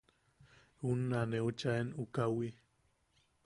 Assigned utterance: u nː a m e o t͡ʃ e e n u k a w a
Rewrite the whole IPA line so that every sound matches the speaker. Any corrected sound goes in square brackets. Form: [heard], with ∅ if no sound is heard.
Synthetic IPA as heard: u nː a [n] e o t͡ʃ [a] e n u k a w [i]